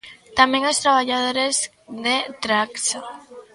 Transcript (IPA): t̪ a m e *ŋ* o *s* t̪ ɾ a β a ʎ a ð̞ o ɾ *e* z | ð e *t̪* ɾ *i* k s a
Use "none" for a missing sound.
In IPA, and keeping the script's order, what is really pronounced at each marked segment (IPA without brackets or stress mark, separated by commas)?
ŋ, s, e, t̪, a